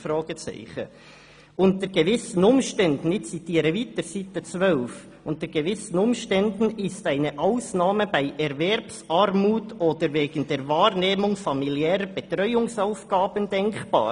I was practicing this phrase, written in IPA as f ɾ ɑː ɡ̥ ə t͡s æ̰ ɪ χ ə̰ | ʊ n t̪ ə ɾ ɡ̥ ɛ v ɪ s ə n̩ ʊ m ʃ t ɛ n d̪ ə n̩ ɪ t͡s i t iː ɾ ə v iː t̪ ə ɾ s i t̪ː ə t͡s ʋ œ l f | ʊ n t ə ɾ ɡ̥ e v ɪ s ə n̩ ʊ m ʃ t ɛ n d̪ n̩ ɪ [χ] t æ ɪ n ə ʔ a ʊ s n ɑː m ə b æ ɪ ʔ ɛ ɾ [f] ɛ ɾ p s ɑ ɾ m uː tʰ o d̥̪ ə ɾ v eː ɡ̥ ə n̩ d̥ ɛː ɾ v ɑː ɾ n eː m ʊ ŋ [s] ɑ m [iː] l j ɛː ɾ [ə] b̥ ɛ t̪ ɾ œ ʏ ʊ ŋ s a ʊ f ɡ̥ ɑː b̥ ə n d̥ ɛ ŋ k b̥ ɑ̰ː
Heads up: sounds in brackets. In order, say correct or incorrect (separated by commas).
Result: incorrect, incorrect, incorrect, incorrect, correct